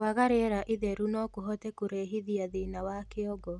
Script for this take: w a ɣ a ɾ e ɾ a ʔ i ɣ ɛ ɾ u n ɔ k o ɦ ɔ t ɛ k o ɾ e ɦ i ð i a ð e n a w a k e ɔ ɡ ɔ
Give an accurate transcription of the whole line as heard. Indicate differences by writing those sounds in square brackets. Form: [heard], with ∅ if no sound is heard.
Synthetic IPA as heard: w a ɣ a ɾ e ɾ a ʔ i [ð] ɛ ɾ u n ɔ k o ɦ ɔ t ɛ k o ɾ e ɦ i ð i a ð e n a w a k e ɔ ɡ ɔ